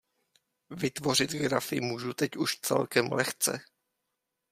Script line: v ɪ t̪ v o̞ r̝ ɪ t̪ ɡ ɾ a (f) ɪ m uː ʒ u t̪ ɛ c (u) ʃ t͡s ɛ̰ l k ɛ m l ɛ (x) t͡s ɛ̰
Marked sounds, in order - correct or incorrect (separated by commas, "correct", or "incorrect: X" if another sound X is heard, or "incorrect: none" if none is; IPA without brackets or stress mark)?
correct, correct, correct